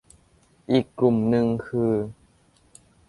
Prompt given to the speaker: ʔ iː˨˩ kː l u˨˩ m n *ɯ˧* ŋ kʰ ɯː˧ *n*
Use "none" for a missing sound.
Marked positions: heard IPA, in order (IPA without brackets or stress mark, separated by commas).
ɯ˧, none